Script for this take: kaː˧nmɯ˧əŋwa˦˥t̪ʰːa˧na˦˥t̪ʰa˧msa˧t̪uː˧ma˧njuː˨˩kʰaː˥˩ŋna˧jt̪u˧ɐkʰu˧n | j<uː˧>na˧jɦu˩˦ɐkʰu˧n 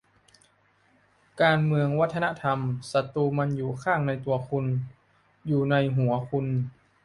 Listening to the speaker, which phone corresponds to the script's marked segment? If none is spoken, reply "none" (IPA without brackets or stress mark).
uː˨˩